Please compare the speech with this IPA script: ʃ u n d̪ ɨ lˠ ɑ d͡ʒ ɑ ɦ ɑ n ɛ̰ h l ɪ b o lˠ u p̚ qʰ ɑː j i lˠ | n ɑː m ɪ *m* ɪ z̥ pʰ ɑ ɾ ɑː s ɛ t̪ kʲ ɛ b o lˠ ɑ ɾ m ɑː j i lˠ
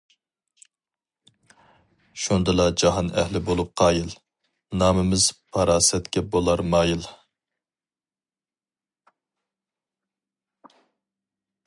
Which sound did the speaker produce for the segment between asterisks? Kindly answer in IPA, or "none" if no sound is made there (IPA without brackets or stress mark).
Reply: m